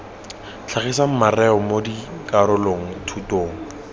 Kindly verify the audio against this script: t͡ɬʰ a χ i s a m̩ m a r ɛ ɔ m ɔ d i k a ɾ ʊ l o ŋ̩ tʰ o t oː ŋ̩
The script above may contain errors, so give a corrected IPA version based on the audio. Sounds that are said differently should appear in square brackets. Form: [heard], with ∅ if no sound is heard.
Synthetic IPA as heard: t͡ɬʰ a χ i s a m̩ m a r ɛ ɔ m [o] d i k a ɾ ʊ l o ŋ̩ tʰ [u] t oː ŋ̩